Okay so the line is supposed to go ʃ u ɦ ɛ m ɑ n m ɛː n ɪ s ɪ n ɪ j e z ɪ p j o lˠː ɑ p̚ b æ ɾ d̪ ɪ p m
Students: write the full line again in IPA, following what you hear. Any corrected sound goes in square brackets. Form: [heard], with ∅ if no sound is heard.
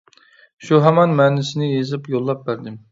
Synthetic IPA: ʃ u ɦ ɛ m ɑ n m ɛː n ɪ s ɪ n ɪ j e z ɪ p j o lˠː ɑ p̚ b æ ɾ d̪ ɪ [∅] m